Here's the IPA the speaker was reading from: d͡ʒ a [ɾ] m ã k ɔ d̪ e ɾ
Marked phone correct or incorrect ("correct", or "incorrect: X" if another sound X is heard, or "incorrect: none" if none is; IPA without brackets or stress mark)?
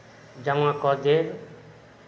incorrect: none